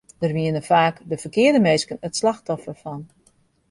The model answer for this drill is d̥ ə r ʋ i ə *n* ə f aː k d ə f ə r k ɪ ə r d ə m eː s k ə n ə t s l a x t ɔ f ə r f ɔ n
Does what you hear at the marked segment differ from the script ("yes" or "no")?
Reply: no